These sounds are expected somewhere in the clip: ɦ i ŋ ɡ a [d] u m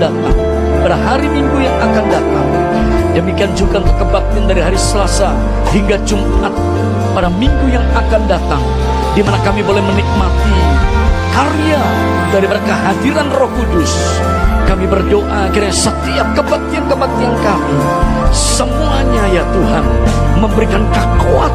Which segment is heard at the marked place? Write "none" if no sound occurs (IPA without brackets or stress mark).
d͡ʒ